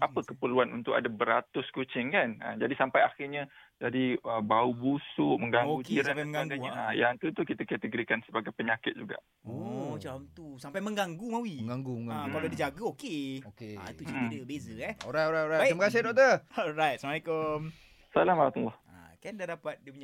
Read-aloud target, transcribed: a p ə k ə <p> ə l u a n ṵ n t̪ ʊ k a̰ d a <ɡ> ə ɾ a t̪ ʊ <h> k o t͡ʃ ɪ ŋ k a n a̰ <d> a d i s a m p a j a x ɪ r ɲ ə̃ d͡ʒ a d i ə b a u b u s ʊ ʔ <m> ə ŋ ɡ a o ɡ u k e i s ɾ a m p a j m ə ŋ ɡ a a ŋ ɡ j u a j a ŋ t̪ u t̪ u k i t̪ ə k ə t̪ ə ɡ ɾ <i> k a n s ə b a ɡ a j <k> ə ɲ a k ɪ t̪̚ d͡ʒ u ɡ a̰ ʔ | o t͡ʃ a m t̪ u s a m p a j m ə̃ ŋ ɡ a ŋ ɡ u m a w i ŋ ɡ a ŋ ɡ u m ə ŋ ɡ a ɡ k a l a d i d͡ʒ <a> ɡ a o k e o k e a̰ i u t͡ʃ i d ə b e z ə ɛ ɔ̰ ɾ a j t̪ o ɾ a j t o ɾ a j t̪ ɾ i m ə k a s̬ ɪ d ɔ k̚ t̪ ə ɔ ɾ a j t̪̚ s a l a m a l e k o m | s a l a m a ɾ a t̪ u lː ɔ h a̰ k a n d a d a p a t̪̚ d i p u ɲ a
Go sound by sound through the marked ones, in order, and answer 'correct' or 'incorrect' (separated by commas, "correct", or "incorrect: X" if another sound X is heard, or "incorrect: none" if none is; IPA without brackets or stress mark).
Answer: correct, incorrect: b, incorrect: s, incorrect: d͡ʒ, correct, correct, incorrect: p, correct